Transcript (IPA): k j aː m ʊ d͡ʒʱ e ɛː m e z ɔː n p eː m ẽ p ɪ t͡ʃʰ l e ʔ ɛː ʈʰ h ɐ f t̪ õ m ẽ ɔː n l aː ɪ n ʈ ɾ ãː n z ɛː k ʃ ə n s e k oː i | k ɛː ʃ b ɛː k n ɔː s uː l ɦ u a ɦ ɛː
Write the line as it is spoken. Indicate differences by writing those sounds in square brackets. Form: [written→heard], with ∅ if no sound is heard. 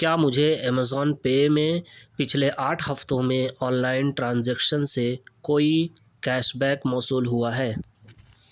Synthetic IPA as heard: k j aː m ʊ d͡ʒʱ e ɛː m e z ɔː n p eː m ẽ p ɪ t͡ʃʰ l e ʔ [ɛː→aː] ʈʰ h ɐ f t̪ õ m ẽ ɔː n l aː ɪ n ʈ ɾ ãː n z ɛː k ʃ ə n s e k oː i | k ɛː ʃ b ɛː k [n→m] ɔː s uː l ɦ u a ɦ ɛː